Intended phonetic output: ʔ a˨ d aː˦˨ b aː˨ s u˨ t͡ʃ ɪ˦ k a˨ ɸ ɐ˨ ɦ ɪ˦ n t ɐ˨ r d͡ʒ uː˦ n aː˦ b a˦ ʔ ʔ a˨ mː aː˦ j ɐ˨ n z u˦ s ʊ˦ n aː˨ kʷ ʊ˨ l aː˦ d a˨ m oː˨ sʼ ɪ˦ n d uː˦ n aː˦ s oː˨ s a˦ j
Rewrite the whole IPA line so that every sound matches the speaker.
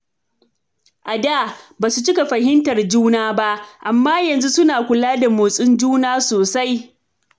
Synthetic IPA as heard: ʔ a˨ d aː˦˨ b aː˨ s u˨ t͡ʃ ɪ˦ k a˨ ɸ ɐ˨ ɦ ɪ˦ n t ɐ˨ r d͡ʒ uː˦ n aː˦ b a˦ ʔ ʔ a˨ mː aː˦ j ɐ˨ n z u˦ s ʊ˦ n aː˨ kʷ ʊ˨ l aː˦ d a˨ m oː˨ sʼ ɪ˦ n d͡ʒ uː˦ n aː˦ s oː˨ s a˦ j